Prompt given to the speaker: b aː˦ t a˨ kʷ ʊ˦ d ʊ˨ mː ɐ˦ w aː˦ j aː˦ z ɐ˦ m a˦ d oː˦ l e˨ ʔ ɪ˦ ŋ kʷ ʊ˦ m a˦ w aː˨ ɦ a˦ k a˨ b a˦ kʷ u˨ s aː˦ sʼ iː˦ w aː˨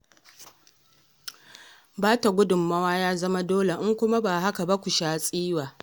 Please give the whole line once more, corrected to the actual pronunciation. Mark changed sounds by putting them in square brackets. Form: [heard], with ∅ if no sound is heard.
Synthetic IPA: b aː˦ t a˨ [ɡʷ] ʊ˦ d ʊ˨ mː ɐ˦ w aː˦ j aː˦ z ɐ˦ m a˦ d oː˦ l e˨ ʔ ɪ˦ ŋ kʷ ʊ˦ m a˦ [b] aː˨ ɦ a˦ k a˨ b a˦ kʷ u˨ [ʃ] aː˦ sʼ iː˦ w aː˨